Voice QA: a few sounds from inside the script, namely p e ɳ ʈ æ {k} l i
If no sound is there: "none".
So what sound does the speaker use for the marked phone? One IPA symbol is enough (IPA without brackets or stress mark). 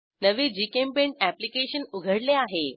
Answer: p